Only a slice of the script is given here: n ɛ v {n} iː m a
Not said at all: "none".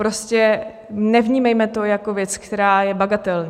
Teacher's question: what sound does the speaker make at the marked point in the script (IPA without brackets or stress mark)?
ɲ